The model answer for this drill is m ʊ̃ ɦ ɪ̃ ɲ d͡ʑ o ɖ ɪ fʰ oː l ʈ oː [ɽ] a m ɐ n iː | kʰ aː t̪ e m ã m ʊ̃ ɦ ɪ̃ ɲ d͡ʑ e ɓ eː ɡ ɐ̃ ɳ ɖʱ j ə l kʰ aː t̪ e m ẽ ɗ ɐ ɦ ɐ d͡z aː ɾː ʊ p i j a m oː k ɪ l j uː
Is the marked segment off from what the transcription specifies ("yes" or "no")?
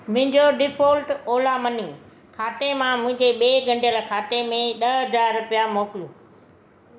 yes